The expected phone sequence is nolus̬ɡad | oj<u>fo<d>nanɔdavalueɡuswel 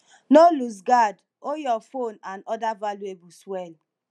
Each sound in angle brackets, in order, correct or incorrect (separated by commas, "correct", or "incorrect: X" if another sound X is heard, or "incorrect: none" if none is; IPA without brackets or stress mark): incorrect: ɔ, incorrect: none